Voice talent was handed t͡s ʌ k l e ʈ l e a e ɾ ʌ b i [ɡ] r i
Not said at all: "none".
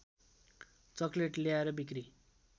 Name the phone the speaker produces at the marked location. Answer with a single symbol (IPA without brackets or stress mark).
k